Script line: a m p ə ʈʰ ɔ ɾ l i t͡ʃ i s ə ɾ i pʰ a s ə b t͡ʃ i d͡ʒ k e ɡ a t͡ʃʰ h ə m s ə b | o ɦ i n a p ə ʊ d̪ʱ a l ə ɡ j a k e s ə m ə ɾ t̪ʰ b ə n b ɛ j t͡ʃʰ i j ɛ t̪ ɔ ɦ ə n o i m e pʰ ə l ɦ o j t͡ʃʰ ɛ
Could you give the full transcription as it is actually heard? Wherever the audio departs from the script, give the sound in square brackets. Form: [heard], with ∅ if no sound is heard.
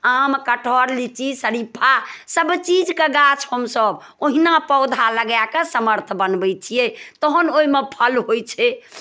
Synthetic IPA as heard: a m [k] ə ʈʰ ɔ ɾ l i t͡ʃ i s ə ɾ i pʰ a s ə b t͡ʃ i d͡ʒ k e ɡ a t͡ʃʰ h ə m s ə b | o ɦ i n a p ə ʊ d̪ʱ a l ə ɡ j a k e s ə m ə ɾ t̪ʰ b ə n b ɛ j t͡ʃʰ i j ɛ t̪ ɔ ɦ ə n o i m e pʰ ə l ɦ o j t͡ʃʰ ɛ